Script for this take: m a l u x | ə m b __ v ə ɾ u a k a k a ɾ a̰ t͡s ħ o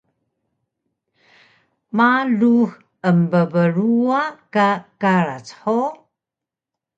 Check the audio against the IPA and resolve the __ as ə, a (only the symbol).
ə